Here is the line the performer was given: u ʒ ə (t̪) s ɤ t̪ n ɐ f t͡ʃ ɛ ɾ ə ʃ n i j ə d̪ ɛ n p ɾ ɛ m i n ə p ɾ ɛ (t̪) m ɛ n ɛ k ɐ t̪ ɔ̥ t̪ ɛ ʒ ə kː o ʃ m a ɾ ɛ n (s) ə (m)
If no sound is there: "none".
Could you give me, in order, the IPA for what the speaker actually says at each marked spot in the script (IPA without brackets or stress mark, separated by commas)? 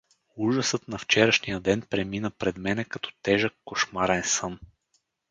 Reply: none, d̪, s, n